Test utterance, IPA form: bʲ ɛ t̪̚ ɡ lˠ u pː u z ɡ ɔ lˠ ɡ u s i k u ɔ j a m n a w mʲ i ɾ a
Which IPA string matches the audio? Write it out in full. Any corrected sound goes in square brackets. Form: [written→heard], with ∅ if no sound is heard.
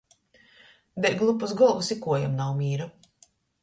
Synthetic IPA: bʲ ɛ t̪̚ ɡ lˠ u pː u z ɡ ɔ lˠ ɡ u s i k u ɔ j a m n a w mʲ [i→iː] ɾ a